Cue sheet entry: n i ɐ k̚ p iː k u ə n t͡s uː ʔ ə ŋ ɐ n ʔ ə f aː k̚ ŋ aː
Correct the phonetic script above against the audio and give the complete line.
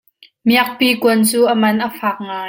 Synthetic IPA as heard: m i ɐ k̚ p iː k u ə n t͡s uː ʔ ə m ɐ n ʔ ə f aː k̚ ŋ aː